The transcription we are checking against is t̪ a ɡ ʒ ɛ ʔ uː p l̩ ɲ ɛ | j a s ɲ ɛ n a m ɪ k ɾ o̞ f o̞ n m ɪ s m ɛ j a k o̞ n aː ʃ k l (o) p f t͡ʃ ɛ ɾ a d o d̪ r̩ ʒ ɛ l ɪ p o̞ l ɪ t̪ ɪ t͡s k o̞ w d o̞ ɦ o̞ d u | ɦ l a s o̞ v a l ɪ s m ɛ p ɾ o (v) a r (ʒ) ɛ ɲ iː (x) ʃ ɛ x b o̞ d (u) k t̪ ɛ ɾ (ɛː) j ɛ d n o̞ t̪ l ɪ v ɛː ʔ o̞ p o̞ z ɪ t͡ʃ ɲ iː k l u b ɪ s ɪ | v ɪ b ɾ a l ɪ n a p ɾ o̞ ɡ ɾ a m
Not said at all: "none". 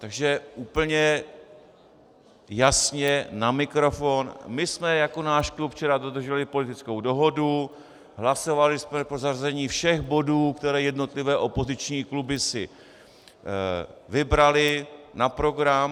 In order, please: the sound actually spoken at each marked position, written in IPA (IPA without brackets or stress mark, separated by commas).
u, z, z, f, uː, ɛː